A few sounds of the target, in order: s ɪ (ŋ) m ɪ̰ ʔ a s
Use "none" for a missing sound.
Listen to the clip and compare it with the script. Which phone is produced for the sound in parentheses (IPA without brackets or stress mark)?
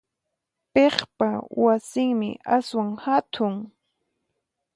ŋ